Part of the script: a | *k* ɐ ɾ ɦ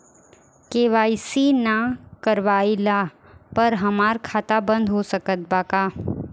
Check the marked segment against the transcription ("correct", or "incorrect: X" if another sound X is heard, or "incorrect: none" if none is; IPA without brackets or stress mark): incorrect: p